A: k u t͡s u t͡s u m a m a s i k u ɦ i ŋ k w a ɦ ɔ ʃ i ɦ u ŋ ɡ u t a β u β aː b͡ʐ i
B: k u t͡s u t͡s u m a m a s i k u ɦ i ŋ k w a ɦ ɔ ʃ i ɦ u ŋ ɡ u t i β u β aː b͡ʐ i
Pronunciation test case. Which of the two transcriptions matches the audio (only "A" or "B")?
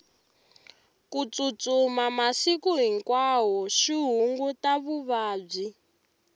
A